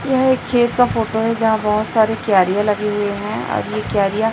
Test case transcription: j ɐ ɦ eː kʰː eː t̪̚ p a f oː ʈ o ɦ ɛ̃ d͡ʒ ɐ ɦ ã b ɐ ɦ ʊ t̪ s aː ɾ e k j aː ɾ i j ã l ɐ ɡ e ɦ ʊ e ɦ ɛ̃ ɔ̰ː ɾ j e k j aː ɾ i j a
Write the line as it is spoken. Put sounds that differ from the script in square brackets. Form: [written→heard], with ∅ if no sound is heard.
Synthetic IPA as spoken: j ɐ ɦ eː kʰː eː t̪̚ [p→k] a f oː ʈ o ɦ [ɛ̃→ɛ] d͡ʒ ɐ ɦ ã b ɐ ɦ ʊ t̪ s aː ɾ e k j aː ɾ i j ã l ɐ ɡ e ɦ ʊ e ɦ ɛ̃ ɔ̰ː ɾ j e k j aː ɾ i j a